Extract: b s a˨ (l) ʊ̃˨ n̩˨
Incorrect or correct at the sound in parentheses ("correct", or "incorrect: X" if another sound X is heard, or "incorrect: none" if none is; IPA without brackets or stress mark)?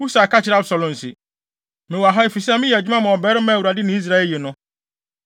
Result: correct